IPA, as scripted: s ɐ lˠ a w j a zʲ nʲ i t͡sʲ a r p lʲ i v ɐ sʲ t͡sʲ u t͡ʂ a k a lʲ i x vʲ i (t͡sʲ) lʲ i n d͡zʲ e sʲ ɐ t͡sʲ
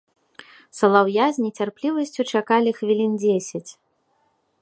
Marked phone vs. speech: incorrect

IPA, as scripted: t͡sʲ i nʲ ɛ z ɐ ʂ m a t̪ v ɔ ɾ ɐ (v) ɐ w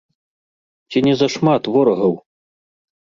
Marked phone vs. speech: incorrect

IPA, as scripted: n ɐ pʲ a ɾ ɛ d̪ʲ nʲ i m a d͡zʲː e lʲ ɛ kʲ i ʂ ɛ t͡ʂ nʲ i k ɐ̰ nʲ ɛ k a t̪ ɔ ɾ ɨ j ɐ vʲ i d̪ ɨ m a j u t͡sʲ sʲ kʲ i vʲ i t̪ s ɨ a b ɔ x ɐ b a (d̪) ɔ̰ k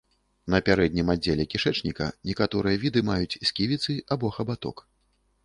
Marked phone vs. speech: incorrect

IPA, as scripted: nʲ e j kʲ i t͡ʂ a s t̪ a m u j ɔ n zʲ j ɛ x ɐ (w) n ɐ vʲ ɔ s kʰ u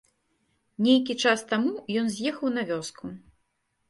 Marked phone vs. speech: correct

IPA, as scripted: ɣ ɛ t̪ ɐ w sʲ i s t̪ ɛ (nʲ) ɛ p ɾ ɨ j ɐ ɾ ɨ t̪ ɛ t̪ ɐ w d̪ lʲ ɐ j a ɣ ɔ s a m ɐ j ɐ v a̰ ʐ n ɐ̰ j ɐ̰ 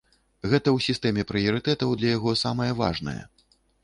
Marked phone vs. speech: incorrect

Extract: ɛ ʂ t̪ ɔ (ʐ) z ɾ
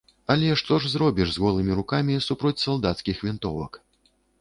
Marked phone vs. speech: correct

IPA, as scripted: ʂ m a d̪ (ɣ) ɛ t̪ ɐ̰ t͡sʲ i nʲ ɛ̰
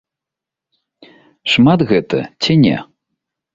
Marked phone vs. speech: correct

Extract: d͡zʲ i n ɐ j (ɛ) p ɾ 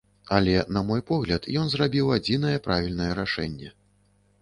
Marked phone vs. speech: correct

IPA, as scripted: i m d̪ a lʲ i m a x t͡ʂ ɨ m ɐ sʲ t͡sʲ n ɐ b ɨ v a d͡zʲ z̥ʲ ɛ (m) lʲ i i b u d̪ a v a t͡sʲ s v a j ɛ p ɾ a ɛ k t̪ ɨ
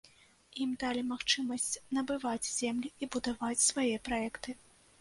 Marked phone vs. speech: correct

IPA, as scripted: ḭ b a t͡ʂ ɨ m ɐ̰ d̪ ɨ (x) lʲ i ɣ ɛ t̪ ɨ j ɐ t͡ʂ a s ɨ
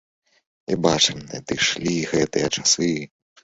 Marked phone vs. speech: incorrect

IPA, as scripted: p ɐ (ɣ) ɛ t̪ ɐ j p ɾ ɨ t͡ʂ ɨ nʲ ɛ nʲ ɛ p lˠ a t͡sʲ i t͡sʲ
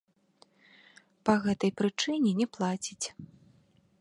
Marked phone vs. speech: correct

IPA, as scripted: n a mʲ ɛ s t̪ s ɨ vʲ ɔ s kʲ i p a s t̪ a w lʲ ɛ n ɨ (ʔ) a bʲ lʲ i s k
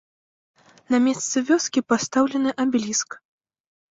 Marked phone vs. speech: correct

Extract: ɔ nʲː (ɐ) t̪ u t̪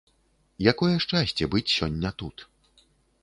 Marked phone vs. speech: correct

